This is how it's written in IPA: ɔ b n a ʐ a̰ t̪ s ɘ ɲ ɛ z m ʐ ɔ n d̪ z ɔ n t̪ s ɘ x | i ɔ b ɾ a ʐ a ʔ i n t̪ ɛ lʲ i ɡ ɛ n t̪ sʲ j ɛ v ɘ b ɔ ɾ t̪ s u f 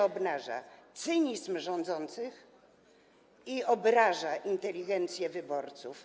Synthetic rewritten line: ɔ b n a ʐ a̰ t̪ s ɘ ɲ i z m ʐ ɔ n d̪ z ɔ n t̪ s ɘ x | i ɔ b ɾ a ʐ a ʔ i n t̪ ɛ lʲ i ɡ ɛ n t̪ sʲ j ɛ v ɘ b ɔ ɾ t̪ s u f